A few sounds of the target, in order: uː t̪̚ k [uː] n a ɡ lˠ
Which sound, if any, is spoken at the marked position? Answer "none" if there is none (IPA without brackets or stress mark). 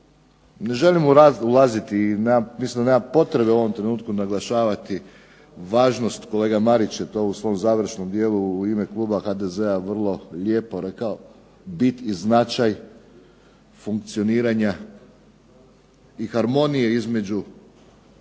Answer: u